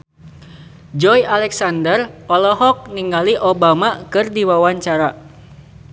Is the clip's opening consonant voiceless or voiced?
voiced